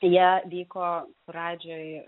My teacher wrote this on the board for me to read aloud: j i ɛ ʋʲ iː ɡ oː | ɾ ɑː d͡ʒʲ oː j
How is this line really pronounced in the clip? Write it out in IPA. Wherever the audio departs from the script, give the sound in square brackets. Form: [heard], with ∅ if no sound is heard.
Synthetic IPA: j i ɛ ʋʲ iː [k] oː | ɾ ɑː d͡ʒʲ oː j